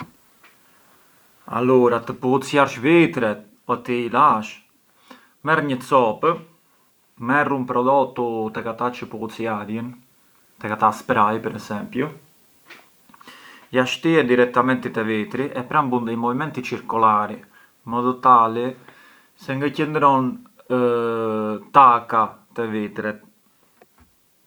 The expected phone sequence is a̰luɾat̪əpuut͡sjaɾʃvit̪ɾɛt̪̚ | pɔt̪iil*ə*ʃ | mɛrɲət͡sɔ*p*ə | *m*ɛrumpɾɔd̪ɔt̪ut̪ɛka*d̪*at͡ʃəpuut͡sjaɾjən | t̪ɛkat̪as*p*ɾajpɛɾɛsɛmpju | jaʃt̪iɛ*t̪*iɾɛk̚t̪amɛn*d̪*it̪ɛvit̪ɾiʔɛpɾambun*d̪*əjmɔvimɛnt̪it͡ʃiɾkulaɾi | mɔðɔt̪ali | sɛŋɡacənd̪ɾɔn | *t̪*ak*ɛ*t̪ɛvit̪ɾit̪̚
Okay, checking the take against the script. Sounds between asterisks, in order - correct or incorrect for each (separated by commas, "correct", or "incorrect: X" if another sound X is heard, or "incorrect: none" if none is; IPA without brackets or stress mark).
incorrect: a, correct, correct, incorrect: t̪, correct, incorrect: d̪, incorrect: t̪, correct, correct, incorrect: a